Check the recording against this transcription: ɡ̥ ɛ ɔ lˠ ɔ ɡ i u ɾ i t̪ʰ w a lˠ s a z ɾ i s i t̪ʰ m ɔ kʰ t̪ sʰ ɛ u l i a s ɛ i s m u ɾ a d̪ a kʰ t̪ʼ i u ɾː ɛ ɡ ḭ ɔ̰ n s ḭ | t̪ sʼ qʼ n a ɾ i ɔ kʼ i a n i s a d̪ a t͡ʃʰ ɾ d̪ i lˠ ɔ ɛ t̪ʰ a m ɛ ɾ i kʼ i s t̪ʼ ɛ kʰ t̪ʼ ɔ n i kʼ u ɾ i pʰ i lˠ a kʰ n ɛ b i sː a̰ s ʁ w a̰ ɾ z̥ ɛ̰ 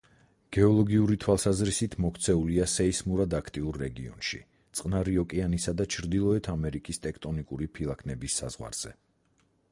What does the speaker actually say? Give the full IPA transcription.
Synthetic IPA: ɡ̥ ɛ ɔ lˠ ɔ ɡ i u ɾ i t̪ʰ w a lˠ s a z ɾ i s i t̪ʰ m ɔ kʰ t̪ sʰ ɛ u l i a s ɛ i s m u ɾ a d̪ a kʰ t̪ʼ i u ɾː ɛ ɡ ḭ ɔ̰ n ʃ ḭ | t̪ sʼ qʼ n a ɾ i ɔ kʼ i a n i s a d̪ a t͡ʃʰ ɾ d̪ i lˠ ɔ ɛ t̪ʰ a m ɛ ɾ i kʼ i s t̪ʼ ɛ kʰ t̪ʼ ɔ n i kʼ u ɾ i pʰ i lˠ a kʰ n ɛ b i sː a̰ z ʁ w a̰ ɾ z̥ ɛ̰